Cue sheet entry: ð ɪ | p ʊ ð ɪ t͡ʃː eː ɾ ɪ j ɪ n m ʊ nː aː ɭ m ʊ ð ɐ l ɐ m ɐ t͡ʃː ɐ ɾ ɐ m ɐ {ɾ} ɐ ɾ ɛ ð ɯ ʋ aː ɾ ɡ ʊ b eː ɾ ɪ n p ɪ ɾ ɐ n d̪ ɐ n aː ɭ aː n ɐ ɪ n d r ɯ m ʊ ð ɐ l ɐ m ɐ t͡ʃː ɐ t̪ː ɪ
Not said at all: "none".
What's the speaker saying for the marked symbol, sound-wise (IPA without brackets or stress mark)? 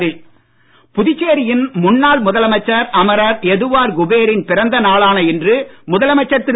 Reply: ɾ